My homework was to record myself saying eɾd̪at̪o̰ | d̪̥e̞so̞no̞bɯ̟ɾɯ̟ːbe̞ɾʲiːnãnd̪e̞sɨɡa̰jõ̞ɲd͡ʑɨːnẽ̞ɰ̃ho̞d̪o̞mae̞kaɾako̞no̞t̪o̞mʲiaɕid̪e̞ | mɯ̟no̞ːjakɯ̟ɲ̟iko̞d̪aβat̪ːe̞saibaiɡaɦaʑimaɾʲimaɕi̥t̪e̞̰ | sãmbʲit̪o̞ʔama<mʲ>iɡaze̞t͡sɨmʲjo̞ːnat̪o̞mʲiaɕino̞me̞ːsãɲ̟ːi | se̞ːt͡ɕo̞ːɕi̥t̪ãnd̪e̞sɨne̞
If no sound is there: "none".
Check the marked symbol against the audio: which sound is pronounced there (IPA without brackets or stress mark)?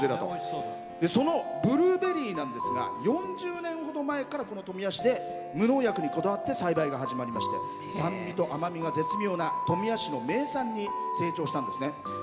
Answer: mʲ